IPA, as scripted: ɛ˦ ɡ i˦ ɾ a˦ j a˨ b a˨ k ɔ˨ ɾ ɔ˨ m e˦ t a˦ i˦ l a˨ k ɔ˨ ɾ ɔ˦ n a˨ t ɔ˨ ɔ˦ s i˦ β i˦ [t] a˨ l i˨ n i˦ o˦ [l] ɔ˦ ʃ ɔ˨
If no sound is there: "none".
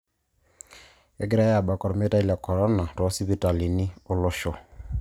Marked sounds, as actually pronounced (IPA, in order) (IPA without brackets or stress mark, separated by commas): t, l